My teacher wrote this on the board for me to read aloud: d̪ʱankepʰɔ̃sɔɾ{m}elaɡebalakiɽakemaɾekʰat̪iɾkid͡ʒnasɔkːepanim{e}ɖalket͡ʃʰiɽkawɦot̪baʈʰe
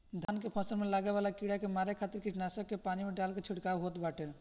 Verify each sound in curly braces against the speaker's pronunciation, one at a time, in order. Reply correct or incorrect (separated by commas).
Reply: correct, correct